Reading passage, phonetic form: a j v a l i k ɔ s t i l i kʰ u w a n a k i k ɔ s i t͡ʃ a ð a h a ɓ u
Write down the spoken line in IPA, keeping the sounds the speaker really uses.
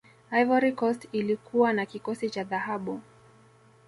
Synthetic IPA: a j v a ɾ i k ɔ s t i l i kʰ u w a n a k i k ɔ s i t͡ʃ a ð a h a ɓ u